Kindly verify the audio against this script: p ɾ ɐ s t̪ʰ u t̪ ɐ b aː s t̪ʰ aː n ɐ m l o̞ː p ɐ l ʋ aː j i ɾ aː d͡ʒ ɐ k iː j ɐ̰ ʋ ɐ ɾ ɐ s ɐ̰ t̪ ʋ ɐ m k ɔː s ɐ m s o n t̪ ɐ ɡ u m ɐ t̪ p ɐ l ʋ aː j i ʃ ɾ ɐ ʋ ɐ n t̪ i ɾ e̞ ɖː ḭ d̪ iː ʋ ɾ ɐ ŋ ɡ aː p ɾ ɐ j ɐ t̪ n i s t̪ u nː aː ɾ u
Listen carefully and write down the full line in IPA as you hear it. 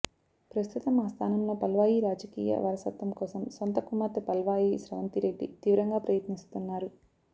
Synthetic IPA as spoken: p ɾ ɐ s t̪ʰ u t̪ ɐ m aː s t̪ʰ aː n ɐ m l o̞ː p ɐ l ʋ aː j i ɾ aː d͡ʒ ɐ k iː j ɐ̰ ʋ ɐ ɾ ɐ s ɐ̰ t̪ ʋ ɐ m k ɔː s ɐ m s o n t̪ ɐ k u m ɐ t̪ p ɐ l ʋ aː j i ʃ ɾ ɐ ʋ ɐ n t̪ i ɾ e̞ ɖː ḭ t̪ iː ʋ ɾ ɐ ŋ ɡ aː p ɾ ɐ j ɐ t̪ n i s t̪ u nː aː ɾ u